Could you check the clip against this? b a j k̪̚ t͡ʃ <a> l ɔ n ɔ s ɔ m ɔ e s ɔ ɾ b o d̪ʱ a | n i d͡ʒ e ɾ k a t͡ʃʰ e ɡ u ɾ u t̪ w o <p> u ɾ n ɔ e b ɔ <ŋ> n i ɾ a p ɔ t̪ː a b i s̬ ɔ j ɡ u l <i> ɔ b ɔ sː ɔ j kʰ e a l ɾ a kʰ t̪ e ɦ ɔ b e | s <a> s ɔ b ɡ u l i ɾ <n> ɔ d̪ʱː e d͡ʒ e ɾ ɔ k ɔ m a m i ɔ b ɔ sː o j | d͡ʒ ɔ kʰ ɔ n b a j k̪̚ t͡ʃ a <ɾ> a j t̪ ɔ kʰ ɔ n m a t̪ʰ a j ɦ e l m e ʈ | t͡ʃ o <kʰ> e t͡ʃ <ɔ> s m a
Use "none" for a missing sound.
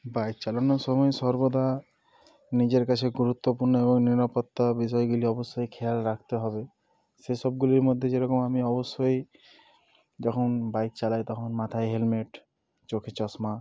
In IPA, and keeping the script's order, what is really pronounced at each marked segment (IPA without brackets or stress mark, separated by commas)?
a, p, ŋ, i, e, m, l, kʰ, ɔ